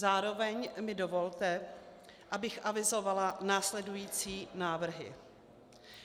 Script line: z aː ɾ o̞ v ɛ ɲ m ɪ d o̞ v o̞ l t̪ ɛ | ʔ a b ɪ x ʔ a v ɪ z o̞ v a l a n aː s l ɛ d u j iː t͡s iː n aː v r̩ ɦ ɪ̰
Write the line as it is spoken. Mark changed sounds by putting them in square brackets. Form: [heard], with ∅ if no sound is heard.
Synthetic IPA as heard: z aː ɾ o̞ v ɛ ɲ m ɪ d o̞ v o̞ l t̪ ɛ | ʔ a b ɪ x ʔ a v ɪ z o̞ v a l a n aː s l ɛ d u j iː t͡s iː n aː v r̩ ɦ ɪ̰